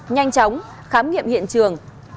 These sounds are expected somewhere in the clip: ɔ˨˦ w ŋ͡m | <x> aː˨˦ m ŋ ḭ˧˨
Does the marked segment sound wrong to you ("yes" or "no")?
no